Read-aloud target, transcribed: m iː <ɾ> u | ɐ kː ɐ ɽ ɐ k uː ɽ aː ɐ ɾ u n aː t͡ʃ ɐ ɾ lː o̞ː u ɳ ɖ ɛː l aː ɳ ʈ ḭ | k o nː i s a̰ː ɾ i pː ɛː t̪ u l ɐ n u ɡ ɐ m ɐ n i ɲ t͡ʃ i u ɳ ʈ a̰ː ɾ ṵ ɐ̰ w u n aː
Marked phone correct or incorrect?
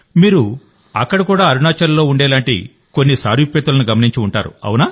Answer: correct